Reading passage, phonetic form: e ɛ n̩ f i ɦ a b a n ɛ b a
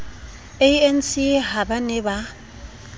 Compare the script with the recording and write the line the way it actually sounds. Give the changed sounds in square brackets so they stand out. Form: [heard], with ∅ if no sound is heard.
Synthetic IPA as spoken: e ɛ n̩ [s] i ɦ a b a n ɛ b a

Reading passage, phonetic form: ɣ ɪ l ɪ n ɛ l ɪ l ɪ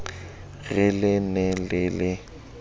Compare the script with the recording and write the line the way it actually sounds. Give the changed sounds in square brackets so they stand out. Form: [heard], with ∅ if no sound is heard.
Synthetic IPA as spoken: ɣ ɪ l ɪ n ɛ l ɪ l ɪ

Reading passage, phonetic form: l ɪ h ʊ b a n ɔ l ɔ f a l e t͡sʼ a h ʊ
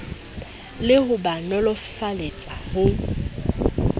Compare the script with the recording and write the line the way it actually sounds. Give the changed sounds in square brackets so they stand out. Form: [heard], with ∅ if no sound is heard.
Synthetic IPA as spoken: l ɪ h ʊ b a n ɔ l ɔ f a l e t͡sʼ a h ʊ

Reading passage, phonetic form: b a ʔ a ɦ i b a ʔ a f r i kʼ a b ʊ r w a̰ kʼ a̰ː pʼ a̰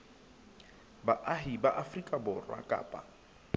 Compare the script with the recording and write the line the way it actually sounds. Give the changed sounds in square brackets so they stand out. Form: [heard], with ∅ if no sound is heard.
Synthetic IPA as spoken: b a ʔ a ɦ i b a ʔ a f r i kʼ a b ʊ r w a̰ kʼ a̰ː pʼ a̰

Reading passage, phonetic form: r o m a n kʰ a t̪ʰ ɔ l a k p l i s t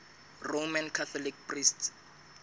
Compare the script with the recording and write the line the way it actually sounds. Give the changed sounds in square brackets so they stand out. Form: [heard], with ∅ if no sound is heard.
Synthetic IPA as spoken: r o m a n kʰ a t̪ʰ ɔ l [i] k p [r] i s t

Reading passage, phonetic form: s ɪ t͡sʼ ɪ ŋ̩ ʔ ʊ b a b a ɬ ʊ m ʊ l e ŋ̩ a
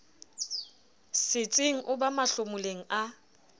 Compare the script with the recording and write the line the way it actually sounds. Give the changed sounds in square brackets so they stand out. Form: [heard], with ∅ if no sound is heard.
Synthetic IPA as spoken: s ɪ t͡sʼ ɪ ŋ̩ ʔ ʊ b a [m] a ɬ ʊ m ʊ l e ŋ̩ a

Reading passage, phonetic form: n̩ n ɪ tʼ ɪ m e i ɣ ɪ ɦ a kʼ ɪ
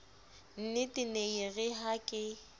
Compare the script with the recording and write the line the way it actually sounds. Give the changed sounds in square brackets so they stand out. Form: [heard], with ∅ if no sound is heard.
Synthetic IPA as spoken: n̩ n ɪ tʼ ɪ [n] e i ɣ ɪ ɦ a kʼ ɪ

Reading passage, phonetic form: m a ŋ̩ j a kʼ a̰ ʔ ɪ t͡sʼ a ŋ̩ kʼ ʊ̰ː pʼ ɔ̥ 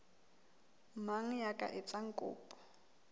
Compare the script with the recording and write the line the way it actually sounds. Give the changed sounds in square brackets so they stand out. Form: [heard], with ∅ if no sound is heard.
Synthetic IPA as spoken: m a ŋ̩ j a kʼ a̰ ʔ ɪ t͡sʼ a ŋ̩ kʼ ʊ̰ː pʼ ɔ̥

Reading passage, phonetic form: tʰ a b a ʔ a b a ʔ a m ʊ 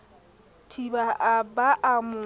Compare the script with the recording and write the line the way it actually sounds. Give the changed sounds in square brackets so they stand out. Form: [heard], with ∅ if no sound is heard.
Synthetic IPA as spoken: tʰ [i] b a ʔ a b a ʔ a m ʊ

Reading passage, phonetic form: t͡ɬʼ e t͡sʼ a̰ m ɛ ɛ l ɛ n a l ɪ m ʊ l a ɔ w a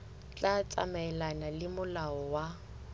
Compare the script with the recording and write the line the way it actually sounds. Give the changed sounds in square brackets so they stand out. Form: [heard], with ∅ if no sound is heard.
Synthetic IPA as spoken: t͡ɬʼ [a] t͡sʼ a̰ m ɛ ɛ l [a] n a l ɪ m ʊ l a ɔ w a

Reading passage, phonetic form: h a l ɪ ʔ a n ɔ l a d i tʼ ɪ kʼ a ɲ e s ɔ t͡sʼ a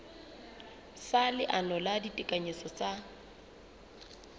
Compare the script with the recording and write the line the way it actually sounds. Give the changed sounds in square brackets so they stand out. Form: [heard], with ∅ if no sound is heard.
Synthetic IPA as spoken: [s] a l ɪ ʔ a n ɔ l a d i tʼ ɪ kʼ a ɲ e s ɔ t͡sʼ a

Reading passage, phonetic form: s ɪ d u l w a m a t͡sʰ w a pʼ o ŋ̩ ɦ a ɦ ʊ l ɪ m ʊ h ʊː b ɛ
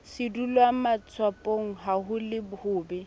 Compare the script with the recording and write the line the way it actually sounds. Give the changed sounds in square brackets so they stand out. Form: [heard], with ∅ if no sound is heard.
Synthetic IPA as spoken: s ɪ d u l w a m a t͡sʰ w a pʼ o ŋ̩ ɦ a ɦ ʊ l ɪ [b] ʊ h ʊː b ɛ

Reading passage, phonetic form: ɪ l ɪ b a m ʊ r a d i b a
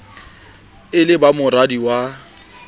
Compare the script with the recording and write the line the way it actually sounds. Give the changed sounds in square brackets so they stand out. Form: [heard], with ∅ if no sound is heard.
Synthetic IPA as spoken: ɪ l ɪ b a m ʊ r a d i [w] a

